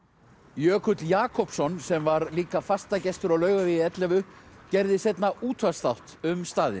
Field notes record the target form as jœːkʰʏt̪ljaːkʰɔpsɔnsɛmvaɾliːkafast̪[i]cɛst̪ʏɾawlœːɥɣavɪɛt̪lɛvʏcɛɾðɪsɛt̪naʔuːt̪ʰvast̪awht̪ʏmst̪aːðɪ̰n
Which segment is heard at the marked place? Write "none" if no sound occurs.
a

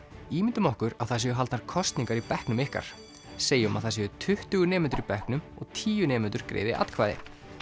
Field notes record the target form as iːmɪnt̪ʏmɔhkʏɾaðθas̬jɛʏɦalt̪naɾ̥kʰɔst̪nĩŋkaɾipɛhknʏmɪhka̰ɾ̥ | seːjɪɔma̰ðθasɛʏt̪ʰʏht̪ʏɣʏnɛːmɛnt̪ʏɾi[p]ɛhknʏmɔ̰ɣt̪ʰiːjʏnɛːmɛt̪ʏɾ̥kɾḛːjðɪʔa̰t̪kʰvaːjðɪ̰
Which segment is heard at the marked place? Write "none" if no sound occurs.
p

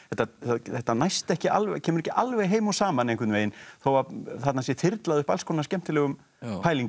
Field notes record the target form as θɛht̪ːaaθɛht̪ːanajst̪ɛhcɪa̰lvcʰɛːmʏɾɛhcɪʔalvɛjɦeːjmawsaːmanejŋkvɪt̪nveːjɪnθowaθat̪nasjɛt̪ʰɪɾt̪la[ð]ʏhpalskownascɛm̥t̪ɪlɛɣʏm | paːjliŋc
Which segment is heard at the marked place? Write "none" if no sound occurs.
ð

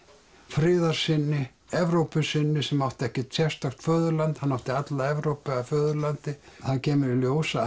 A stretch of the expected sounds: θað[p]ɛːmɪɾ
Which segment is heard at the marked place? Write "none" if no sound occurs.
c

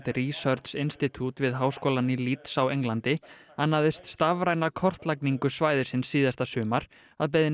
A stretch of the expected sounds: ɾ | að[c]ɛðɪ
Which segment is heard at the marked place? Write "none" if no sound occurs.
p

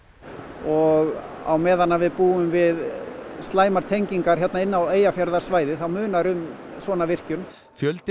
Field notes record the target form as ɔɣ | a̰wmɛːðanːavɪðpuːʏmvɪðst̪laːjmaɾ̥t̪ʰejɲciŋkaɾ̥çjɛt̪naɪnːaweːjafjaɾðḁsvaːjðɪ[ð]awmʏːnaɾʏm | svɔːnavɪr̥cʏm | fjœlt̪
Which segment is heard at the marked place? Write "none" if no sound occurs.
θ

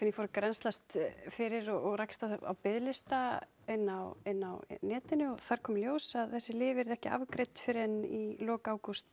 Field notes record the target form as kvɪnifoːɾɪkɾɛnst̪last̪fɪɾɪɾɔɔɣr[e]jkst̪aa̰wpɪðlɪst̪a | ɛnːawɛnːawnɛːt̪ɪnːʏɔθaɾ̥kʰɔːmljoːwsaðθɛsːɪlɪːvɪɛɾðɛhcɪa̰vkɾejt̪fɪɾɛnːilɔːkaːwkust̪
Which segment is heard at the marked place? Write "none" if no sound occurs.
a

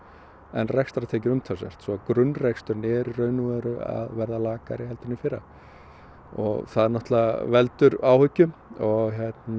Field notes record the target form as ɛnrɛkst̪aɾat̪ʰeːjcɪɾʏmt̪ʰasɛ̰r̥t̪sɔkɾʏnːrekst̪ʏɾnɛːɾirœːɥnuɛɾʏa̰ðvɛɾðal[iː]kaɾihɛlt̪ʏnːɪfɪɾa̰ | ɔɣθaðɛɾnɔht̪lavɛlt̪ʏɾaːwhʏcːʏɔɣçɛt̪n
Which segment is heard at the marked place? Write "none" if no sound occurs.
aː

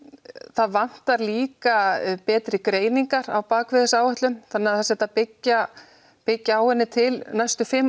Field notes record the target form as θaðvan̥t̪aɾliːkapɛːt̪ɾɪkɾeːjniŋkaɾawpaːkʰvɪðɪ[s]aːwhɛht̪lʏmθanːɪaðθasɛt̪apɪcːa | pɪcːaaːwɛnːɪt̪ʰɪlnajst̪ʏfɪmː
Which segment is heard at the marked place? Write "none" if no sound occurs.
s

